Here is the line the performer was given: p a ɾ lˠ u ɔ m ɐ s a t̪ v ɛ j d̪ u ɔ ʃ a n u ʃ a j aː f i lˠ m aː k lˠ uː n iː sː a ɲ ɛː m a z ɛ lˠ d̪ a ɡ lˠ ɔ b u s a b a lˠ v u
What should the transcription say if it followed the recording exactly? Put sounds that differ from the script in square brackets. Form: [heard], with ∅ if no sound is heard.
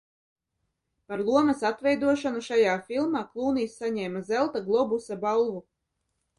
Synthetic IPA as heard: p a ɾ lˠ u ɔ m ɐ s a t̪ v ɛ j d̪ u ɔ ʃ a n u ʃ a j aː f i lˠ m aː k lˠ uː n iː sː a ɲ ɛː m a z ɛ lˠ [t̪] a ɡ lˠ ɔ b u s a b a lˠ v u